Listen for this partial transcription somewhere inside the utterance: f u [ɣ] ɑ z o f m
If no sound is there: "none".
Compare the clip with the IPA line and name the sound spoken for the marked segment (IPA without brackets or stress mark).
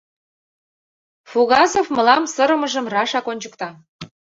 ɣ